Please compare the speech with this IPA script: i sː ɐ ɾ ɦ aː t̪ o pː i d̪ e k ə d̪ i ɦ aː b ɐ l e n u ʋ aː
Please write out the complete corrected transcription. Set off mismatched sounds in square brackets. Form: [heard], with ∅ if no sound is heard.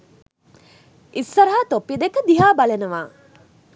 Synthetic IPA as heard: i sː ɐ ɾ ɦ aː t̪ o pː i d̪ e k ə d̪ i ɦ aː b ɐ l e n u ʋ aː